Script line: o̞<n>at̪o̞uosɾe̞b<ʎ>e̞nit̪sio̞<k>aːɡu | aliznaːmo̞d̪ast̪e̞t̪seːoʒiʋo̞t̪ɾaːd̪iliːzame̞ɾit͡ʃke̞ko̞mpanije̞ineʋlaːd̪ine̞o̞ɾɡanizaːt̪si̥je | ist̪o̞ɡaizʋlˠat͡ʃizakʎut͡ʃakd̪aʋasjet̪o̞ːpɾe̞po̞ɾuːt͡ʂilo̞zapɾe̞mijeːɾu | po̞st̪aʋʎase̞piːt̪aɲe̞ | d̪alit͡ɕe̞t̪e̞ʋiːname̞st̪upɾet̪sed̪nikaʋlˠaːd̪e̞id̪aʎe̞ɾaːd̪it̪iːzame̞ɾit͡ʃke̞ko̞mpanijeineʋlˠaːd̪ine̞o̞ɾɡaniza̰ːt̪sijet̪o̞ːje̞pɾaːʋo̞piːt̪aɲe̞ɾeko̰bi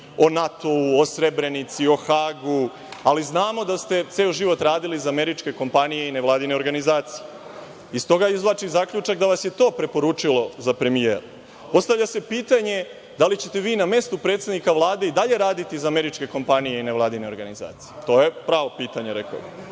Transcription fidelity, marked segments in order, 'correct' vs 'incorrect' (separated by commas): correct, incorrect, incorrect